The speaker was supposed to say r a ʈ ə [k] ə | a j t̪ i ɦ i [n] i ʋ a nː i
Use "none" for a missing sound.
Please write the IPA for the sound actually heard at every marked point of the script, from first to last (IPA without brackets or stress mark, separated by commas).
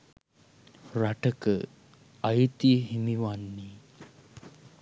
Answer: k, m